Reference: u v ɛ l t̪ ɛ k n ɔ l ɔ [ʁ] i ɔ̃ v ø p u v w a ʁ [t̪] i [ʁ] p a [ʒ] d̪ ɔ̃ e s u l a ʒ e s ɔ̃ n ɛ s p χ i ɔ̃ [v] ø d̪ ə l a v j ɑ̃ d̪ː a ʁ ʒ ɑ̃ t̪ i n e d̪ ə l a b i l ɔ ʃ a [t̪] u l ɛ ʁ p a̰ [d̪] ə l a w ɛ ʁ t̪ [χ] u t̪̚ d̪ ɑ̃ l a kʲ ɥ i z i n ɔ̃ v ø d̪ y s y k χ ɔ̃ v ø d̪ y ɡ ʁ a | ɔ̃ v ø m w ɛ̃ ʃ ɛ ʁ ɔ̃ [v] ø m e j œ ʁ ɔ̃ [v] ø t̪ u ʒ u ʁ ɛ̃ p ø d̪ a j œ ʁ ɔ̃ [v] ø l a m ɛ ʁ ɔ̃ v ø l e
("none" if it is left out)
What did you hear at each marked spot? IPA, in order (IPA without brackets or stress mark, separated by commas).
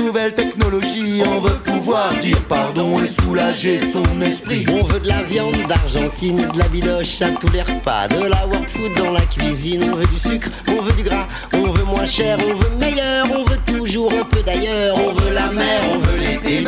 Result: ʒ, d̪, ʁ, ʁ, v, t̪, d̪, f, v, v, v